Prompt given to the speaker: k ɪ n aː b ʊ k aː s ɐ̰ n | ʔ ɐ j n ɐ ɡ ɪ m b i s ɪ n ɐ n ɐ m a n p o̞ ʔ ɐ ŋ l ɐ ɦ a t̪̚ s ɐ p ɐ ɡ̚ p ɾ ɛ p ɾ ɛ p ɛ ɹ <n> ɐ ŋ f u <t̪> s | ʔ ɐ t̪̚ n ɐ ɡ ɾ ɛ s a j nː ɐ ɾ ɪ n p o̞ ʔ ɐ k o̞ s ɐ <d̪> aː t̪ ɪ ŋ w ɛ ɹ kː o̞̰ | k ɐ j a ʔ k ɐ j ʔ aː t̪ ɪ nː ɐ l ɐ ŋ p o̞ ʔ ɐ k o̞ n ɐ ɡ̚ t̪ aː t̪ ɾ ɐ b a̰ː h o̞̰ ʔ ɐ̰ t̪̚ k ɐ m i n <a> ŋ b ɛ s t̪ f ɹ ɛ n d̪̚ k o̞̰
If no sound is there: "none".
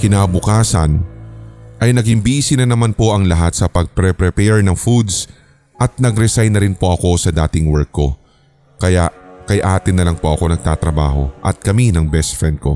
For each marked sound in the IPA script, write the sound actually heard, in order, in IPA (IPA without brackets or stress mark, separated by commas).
n, d̪, d̪, ɐ